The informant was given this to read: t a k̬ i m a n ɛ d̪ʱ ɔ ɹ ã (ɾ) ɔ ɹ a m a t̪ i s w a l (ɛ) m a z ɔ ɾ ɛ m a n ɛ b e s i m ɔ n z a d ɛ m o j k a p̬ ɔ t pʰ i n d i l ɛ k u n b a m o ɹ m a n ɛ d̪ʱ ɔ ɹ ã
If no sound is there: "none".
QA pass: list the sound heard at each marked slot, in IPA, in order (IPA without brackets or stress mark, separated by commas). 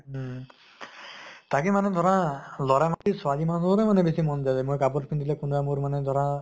l, i